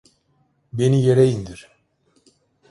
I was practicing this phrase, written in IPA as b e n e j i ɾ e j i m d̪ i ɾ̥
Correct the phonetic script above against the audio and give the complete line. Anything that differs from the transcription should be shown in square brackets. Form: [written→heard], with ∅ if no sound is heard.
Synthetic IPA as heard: b e n [e→i] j [i→e] ɾ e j i [m→n] d̪ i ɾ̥